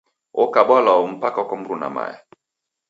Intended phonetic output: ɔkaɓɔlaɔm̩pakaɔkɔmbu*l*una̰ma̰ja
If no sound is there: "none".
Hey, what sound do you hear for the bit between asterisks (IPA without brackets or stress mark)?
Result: ɾ